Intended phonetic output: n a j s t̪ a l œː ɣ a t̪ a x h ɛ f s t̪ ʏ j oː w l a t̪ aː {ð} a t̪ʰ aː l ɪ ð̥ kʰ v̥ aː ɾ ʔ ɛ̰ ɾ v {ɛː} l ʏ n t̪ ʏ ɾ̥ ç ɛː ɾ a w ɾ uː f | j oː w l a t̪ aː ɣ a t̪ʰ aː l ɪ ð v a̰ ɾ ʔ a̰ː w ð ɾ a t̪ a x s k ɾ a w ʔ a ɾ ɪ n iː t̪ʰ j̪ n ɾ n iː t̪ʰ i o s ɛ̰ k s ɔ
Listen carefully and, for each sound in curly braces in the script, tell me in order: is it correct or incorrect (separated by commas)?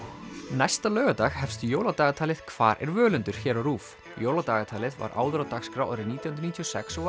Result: incorrect, incorrect